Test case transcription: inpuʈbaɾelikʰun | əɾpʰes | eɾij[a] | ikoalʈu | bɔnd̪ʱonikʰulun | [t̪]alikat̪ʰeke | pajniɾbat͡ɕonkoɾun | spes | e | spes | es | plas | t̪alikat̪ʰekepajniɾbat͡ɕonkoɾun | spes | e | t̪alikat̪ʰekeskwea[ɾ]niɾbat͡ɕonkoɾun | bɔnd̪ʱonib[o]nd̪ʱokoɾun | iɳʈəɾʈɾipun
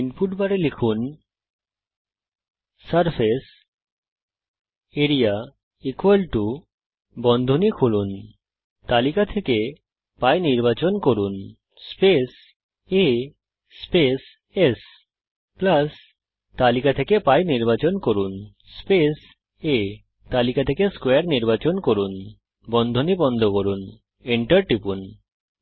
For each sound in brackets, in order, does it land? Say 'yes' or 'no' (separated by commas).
yes, yes, yes, no